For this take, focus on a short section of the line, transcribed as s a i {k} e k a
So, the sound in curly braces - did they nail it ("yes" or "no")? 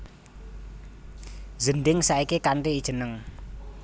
yes